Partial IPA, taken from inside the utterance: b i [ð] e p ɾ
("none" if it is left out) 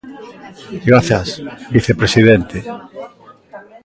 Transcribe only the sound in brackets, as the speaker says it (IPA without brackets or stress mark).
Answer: θ